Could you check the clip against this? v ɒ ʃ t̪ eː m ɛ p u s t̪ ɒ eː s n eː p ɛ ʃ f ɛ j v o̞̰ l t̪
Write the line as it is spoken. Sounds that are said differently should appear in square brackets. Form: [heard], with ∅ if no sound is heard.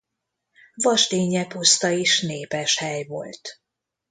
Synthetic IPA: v ɒ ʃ t̪ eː [ɲ] ɛ p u s t̪ ɒ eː [ʃ] n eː p ɛ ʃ [h] ɛ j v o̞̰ l t̪